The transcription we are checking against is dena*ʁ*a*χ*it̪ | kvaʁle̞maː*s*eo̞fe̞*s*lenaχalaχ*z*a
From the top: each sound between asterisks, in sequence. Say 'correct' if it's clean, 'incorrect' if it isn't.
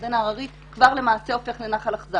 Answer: correct, incorrect: ʁ, correct, incorrect: χ, correct

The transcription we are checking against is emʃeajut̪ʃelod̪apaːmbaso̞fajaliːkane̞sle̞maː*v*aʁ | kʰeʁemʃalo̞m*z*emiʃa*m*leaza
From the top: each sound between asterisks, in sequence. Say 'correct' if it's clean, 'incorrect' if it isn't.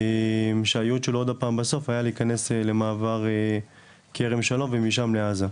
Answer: correct, incorrect: v, correct

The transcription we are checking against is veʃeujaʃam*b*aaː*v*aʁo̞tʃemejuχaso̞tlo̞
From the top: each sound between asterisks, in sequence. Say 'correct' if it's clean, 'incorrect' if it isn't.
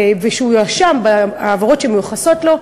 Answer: correct, correct

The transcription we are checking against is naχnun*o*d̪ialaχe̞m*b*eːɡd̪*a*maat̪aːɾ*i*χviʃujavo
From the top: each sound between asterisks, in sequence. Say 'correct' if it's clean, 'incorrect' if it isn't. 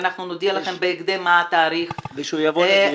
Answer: correct, correct, incorrect: e, correct

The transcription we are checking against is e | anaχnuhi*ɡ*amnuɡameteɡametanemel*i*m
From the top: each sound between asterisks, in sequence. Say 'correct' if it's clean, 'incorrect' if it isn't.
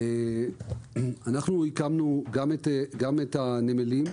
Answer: incorrect: k, correct

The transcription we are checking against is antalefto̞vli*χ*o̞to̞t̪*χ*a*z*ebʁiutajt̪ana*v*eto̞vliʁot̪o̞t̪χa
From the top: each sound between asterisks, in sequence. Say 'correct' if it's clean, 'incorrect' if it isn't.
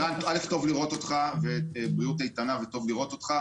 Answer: incorrect: ʁ, correct, incorrect: v, correct

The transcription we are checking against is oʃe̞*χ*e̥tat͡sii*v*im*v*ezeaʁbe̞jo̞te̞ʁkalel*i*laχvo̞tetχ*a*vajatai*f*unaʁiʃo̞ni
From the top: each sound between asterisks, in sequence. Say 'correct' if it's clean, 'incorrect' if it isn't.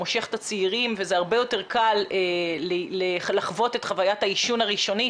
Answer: correct, incorrect: ʁ, correct, incorrect: e, correct, incorrect: ʃ

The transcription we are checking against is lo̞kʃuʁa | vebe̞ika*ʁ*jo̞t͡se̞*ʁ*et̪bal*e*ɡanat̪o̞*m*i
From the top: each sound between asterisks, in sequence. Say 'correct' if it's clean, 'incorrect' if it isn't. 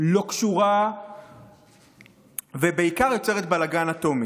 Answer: correct, correct, incorrect: a, correct

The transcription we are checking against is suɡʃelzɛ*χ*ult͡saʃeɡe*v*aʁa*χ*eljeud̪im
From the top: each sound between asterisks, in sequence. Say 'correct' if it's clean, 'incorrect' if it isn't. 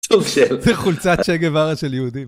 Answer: correct, correct, incorrect: ʃ

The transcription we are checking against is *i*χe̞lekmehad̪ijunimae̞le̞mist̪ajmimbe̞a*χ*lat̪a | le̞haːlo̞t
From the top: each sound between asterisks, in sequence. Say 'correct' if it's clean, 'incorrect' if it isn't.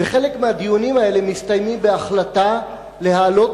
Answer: incorrect: e, correct

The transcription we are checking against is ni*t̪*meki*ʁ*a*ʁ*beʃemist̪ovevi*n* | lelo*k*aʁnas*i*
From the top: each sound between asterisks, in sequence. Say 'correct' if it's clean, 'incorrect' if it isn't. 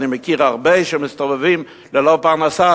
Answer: incorrect: none, correct, correct, incorrect: m, incorrect: p, incorrect: a

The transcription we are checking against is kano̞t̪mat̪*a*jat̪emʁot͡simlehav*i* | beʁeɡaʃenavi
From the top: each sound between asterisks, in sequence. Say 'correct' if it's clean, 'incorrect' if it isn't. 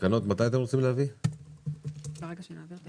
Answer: correct, correct

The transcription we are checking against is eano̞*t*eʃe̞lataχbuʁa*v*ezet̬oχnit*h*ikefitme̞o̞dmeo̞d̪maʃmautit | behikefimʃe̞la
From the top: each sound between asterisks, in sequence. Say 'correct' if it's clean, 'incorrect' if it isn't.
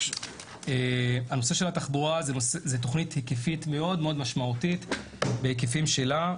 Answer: incorrect: s, incorrect: z, correct

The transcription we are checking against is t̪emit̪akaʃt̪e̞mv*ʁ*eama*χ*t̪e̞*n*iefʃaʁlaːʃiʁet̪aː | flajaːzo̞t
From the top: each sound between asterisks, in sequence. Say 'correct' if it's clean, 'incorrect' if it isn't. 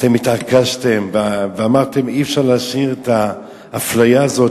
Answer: incorrect: v, incorrect: ʁ, incorrect: m

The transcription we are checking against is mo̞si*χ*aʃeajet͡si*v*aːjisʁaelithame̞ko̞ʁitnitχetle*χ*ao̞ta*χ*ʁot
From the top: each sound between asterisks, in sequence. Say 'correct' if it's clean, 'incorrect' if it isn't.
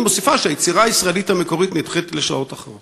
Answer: incorrect: f, incorrect: ʁ, incorrect: ʃ, correct

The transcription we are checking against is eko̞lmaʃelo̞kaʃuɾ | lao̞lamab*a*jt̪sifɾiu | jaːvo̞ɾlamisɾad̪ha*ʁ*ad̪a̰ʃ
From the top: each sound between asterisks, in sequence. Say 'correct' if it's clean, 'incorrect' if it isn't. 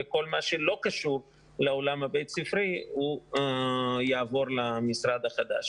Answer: incorrect: e, incorrect: χ

